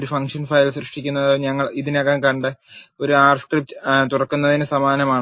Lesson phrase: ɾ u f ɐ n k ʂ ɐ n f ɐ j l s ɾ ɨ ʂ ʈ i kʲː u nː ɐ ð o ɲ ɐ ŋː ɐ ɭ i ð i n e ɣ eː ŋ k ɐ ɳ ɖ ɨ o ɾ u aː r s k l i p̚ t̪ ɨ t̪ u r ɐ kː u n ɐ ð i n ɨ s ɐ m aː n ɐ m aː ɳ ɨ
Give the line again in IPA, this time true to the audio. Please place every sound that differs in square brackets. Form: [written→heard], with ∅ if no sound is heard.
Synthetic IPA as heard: ɾ u f ɐ [n→ŋ] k ʂ ɐ n f ɐ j l s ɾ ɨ ʂ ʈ i kʲː u nː ɐ ð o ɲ ɐ ŋː ɐ ɭ i ð i n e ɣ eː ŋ k ɐ ɳ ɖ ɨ o ɾ u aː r s k [l→r] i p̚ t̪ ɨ t̪ u r ɐ kː u [n→nː] ɐ ð i n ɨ s ɐ m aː n ɐ m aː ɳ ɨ